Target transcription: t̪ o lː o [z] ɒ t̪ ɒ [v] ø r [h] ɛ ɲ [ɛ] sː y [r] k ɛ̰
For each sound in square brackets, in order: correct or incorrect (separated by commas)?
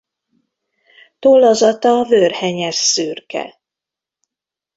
correct, correct, correct, correct, correct